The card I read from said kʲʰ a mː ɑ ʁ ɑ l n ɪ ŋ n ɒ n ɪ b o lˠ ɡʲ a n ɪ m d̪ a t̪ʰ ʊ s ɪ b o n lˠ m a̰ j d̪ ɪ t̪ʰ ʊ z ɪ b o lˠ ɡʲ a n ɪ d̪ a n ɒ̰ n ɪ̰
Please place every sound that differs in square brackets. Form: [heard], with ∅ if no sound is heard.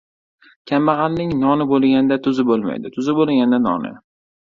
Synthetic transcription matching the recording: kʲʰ a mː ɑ ʁ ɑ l n ɪ ŋ n ɒ n ɪ b o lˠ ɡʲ a n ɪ [∅] d̪ a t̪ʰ ʊ [z] ɪ b o [∅] lˠ m a̰ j d̪ ɪ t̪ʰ ʊ z ɪ b o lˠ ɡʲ a n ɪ d̪ a n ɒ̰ n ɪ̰